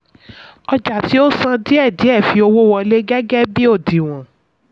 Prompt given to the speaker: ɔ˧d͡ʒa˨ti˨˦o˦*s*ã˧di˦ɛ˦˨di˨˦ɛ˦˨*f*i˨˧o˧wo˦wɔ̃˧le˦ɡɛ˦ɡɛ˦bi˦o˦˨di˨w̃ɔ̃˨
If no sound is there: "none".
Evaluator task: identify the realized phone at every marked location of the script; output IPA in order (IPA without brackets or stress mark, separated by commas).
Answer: s, f